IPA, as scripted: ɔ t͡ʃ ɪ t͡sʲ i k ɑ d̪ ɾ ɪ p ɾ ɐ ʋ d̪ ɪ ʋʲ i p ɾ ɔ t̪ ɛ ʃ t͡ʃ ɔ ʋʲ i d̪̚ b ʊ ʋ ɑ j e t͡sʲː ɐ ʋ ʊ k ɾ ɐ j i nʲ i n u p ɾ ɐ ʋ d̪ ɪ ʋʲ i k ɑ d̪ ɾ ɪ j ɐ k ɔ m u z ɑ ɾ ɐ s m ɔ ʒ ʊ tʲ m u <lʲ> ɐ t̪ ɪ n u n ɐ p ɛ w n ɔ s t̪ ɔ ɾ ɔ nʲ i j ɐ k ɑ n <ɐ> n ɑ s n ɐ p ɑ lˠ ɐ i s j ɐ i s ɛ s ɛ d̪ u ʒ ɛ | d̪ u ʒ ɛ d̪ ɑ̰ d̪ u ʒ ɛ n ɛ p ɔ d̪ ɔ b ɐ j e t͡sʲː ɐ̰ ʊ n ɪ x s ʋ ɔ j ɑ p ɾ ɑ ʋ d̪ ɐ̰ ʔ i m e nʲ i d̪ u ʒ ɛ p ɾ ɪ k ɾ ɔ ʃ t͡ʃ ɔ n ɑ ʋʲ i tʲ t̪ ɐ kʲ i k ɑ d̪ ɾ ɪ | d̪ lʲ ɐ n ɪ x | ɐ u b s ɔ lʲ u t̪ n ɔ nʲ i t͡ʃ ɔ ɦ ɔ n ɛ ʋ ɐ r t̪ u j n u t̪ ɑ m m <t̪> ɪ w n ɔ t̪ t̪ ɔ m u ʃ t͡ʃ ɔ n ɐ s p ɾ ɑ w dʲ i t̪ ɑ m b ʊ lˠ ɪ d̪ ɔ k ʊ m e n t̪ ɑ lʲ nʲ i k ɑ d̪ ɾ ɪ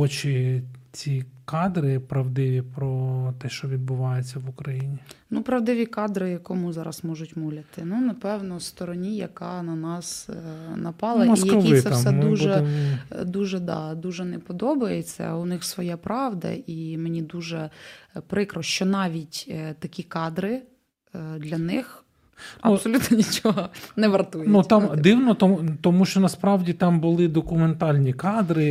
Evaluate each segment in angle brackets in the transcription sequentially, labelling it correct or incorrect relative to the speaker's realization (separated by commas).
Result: correct, correct, incorrect